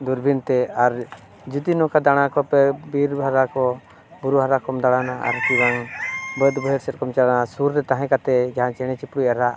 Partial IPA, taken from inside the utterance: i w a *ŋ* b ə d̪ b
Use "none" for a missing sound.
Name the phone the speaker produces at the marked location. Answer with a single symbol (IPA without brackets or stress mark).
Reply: ŋ